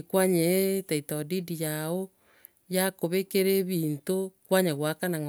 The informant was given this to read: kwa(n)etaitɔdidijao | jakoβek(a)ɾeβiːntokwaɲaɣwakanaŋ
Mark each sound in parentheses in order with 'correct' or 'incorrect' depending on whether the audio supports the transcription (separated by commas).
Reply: incorrect, incorrect